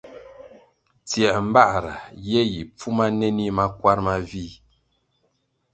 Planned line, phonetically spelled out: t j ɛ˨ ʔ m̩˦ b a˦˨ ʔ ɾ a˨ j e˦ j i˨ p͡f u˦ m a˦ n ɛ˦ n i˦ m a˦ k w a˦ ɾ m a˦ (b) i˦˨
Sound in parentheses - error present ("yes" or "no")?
yes